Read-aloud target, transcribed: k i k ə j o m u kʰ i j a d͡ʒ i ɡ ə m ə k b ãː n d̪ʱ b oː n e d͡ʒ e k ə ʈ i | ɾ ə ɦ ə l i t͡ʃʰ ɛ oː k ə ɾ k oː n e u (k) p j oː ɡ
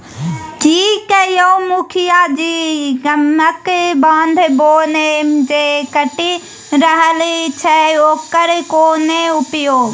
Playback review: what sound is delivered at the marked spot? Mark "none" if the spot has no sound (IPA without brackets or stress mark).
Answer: none